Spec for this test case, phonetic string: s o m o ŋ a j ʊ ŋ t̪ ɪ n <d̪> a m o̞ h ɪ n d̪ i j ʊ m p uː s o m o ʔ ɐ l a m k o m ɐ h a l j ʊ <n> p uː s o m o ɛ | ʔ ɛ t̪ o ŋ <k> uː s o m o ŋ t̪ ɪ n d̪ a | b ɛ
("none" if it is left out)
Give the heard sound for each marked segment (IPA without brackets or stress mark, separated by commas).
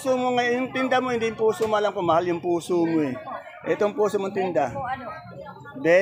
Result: d̪, ŋ, p